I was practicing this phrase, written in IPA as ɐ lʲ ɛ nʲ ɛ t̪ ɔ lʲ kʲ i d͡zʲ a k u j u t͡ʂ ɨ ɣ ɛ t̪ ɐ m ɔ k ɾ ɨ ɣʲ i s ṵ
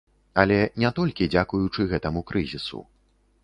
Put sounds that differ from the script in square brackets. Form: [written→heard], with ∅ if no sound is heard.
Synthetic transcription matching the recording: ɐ lʲ ɛ nʲ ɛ t̪ ɔ lʲ kʲ i d͡zʲ a k u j u t͡ʂ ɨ ɣ ɛ t̪ ɐ m [ɔ→u] k ɾ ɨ [ɣʲ→zʲ] i s ṵ